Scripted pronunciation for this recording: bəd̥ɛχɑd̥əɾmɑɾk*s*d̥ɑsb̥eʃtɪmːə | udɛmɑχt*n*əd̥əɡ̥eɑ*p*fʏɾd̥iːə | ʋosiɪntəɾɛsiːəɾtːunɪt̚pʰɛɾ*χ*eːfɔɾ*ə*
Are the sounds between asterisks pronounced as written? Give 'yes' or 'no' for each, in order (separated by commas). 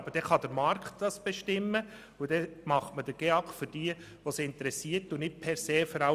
no, no, no, no, no